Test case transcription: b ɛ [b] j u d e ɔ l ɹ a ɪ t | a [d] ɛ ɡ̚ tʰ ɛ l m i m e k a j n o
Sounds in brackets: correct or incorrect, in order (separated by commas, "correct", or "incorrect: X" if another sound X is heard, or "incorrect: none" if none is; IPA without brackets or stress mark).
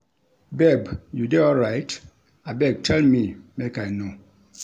correct, incorrect: b